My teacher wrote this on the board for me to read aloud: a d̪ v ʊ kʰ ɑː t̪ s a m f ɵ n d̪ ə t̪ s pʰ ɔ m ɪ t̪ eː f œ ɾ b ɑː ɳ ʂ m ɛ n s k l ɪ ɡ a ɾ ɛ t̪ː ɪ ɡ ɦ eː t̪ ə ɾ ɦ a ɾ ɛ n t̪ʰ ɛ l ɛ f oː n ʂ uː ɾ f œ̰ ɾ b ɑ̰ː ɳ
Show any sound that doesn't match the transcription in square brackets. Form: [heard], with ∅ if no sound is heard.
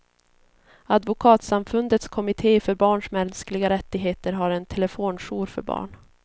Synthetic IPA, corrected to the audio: a d̪ v ʊ kʰ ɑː t̪ s a m f ɵ n d̪ ə t̪ s [kʰ] ɔ m ɪ [t̪ʰ] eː f œ ɾ b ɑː ɳ ʂ m ɛ n s k l ɪ ɡ a ɾ ɛ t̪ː ɪ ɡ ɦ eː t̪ ə ɾ ɦ a ɾ ɛ n t̪ʰ ɛ l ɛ f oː n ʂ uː ɾ f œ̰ ɾ b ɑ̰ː ɳ